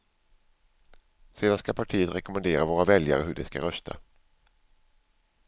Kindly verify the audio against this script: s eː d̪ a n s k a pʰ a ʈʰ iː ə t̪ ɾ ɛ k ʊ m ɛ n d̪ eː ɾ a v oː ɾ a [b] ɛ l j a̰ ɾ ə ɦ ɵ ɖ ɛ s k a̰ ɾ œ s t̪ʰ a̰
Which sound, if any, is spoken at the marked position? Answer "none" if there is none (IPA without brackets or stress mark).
v